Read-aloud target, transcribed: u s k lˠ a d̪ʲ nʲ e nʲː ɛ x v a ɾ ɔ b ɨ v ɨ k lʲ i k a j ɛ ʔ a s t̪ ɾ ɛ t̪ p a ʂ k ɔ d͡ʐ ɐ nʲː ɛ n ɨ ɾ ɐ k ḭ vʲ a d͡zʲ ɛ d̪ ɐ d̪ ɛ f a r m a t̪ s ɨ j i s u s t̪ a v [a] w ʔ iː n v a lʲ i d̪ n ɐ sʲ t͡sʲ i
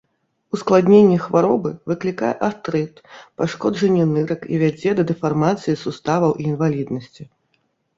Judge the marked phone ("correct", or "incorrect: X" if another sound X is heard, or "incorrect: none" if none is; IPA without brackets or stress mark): incorrect: ɐ